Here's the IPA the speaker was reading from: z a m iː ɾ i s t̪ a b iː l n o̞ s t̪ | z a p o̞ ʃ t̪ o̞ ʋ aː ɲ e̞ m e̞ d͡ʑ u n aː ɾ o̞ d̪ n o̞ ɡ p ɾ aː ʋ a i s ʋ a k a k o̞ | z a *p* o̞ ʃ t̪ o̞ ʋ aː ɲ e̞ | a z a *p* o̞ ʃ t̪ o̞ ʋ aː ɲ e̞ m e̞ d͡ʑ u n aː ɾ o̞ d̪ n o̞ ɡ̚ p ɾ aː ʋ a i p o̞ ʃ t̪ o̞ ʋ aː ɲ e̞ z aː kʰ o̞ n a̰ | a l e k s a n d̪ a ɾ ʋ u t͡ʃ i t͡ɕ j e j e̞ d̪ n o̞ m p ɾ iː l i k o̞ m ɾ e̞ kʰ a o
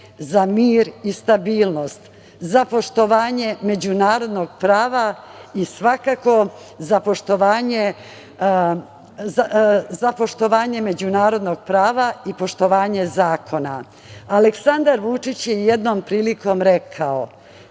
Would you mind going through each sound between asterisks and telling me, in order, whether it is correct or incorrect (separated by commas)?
correct, correct